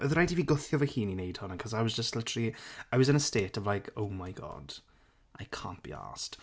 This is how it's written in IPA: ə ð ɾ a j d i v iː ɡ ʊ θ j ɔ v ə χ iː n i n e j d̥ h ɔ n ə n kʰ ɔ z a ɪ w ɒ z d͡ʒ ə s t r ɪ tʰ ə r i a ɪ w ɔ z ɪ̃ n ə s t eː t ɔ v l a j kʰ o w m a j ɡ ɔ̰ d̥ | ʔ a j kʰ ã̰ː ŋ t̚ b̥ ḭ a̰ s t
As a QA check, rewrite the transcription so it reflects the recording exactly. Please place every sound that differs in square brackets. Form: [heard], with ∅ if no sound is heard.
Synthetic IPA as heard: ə ð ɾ a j d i v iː ɡ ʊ θ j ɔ v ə [h] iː n i n e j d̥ h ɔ n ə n kʰ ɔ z a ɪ w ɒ z d͡ʒ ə s t [l] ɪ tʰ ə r i a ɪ w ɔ z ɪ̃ n ə s t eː t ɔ v l a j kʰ o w m a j ɡ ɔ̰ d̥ | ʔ a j kʰ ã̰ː [n] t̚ b̥ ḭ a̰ s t